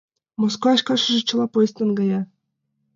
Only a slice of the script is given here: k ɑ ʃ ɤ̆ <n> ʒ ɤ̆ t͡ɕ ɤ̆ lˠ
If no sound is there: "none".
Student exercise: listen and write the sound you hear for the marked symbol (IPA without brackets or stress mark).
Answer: none